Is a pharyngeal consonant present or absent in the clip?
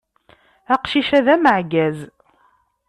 present